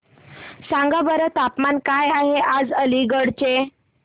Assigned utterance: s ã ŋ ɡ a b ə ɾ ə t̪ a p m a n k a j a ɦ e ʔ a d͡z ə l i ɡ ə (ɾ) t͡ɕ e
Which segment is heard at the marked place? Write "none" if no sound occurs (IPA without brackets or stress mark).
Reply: ɽ